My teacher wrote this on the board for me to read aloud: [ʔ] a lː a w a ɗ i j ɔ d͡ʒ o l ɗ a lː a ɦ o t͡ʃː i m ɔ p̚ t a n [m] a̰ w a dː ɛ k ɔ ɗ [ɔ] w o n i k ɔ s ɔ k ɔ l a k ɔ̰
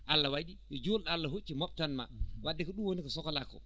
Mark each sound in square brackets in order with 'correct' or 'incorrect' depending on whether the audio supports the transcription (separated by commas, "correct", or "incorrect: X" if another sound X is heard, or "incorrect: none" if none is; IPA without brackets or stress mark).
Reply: correct, correct, incorrect: u